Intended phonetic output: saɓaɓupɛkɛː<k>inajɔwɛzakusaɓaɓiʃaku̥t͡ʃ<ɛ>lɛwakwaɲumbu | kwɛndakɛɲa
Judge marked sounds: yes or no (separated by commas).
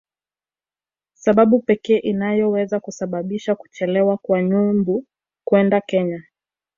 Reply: no, yes